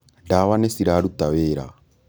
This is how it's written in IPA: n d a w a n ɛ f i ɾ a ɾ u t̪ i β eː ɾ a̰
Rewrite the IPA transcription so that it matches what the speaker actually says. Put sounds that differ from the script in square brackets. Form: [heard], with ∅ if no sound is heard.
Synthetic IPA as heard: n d a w a n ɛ [s] i ɾ a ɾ u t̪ [a] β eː ɾ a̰